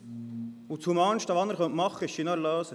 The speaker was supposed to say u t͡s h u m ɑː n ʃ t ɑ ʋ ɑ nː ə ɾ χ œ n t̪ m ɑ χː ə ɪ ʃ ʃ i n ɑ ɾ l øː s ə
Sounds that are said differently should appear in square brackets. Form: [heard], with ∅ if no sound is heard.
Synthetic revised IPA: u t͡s h u m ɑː n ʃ t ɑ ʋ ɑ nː ə ɾ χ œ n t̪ m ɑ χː ə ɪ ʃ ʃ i n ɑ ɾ l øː s ə